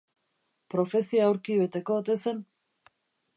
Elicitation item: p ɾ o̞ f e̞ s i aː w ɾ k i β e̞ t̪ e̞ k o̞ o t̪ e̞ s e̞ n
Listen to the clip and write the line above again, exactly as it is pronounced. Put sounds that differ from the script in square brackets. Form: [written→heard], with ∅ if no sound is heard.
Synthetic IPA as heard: p ɾ o̞ f e̞ s i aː w ɾ k i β e̞ t̪ e̞ k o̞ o t̪ e̞ s e̞ n